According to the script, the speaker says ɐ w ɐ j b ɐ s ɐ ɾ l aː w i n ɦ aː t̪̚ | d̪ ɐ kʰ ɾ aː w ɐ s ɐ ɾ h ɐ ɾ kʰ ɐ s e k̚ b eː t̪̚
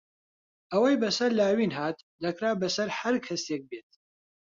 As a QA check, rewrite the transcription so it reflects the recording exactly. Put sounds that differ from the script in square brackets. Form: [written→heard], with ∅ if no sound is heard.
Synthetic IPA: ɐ w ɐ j b ɐ s ɐ ɾ l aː w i n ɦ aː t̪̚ | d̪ ɐ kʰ ɾ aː [w→b] ɐ s ɐ ɾ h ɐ ɾ kʰ ɐ s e k̚ b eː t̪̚